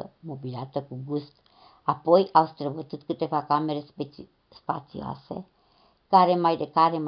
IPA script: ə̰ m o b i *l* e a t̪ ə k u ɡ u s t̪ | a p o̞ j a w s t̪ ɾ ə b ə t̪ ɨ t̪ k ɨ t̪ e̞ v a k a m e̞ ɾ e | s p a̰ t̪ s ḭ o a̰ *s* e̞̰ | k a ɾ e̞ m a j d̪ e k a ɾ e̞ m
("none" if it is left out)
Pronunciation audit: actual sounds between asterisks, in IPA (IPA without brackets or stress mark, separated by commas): l, s